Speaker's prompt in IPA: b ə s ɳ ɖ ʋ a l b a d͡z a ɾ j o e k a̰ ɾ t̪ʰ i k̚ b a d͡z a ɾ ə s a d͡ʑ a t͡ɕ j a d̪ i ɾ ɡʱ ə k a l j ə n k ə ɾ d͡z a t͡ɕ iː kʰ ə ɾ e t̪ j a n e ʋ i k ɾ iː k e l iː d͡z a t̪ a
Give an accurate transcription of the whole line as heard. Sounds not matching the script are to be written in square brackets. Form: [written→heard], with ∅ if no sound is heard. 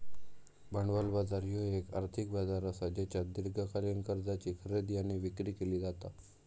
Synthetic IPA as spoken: b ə [s→∅] ɳ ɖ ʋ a l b a d͡z a ɾ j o e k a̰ ɾ t̪ʰ i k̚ b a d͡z a ɾ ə s a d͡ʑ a t͡ɕ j a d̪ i ɾ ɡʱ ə k a l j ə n k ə ɾ d͡z a t͡ɕ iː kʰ ə ɾ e [t̪→d̪] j a n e ʋ i k ɾ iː k e l iː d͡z a t̪ a